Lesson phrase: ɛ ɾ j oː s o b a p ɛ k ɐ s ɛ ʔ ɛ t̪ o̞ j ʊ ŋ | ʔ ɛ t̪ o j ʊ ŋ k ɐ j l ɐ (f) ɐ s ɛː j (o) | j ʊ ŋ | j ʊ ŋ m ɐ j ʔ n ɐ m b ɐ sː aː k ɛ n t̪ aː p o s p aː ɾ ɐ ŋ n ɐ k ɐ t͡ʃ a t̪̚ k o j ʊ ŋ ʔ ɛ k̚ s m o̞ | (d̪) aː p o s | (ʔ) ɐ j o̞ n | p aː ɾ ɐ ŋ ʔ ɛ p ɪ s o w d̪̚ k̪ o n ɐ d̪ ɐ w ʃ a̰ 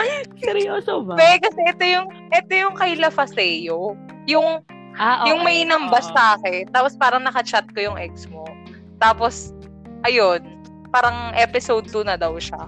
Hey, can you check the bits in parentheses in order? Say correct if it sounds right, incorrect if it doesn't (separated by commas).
correct, correct, incorrect, correct